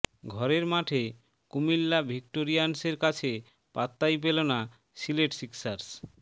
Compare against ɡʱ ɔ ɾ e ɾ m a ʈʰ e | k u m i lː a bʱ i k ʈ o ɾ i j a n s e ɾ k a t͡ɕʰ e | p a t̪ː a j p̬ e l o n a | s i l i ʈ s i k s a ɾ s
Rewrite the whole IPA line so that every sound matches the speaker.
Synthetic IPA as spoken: ɡʱ ɔ ɾ e ɾ m a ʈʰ e | k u m i lː a bʱ i k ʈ o ɾ i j a n s e ɾ k a t͡ɕʰ e | p a t̪ː a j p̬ e l o n a | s i l e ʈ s i k s a ɾ s

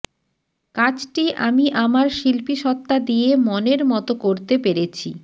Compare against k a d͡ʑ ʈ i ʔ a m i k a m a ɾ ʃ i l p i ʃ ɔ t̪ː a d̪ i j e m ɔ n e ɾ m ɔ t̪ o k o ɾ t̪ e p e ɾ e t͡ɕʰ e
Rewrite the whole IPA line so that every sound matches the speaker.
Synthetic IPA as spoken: k a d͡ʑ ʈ i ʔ a m i ʔ a m a ɾ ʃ i l p i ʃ ɔ t̪ː a d̪ i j e m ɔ n e ɾ m ɔ t̪ o k o ɾ t̪ e p e ɾ e t͡ɕʰ i

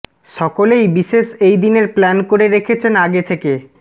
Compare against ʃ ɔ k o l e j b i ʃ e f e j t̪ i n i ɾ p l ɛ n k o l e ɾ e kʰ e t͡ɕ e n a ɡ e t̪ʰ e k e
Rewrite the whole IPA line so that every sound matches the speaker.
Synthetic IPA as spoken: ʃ ɔ k o l e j b i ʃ e ʃ e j d̪ i n e ɾ p l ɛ n k o ɾ e ɾ e kʰ e t͡ɕʰ e n a ɡ e t̪ʰ e k e

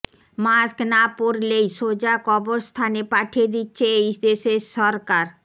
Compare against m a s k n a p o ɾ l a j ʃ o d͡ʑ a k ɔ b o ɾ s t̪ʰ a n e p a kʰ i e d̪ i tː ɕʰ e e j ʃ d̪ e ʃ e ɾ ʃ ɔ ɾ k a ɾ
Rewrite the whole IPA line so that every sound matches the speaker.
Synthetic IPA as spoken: m a s k n a p o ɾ l e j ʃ o d͡ʑ a k ɔ b o ɾ s t̪ʰ a n e p a ʈʰ i e d̪ i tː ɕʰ e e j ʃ d̪ e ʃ e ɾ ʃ ɔ ɾ k a ɾ

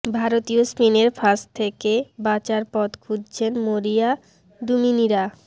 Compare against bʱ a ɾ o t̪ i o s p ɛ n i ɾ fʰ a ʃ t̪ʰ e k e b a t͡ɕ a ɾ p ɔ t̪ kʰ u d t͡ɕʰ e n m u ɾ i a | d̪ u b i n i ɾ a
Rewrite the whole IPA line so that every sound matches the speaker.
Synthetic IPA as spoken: bʱ a ɾ o t̪ i o s p i n e ɾ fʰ a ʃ t̪ʰ e k e b a t͡ɕ a ɾ p ɔ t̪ kʰ u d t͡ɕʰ e n m o ɾ i a | d̪ u m i n i ɾ a

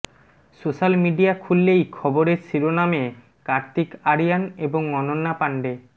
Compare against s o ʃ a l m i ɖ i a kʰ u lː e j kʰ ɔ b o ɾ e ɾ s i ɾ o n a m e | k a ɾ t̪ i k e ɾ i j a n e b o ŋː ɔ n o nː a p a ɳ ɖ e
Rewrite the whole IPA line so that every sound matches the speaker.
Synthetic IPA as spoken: s o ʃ a l m i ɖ i a kʰ u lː e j kʰ ɔ b o ɾ e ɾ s i ɾ o n a m e | k a ɾ t̪ i k a ɾ i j a n e b o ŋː ɔ n o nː a p a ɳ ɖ e

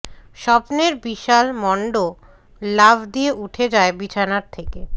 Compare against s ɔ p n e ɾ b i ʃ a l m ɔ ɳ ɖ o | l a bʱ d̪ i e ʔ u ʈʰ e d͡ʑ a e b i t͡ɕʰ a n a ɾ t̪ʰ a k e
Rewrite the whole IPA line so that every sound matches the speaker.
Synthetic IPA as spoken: ʃ ɔ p n e ɾ b i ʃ a l m ɔ ɳ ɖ o | l a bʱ d̪ i e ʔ u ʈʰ e d͡ʑ a e b i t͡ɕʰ a n a ɾ t̪ʰ e k e

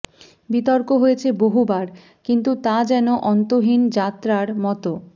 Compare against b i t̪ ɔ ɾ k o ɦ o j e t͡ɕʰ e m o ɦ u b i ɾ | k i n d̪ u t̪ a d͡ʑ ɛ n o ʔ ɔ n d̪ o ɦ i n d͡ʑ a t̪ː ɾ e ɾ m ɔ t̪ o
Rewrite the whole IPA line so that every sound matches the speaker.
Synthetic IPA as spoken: b i t̪ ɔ ɾ k o ɦ o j e t͡ɕʰ e b o ɦ u b a ɾ | k i n t̪ u t̪ a d͡ʑ ɛ n o ʔ ɔ n t̪ o ɦ i n d͡ʑ a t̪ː ɾ a ɾ m ɔ t̪ o

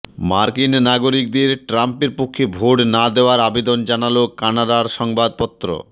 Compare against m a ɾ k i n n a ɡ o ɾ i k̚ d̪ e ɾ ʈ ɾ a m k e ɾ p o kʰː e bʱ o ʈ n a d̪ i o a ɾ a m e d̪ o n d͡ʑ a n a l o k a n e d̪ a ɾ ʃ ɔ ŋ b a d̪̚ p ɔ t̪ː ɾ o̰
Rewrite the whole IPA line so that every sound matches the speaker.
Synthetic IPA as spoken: m a ɾ k i n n a ɡ o ɾ i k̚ d̪ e ɾ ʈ ɾ a m p e ɾ p o kʰː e bʱ o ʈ n a d̪ e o a ɾ a b e d̪ o n d͡ʑ a n a l o k a n a d̪ a ɾ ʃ ɔ ŋ b a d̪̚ p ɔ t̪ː ɾ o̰

